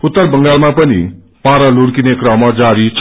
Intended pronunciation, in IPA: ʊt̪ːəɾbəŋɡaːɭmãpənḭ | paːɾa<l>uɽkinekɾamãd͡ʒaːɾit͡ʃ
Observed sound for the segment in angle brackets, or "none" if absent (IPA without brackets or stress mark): l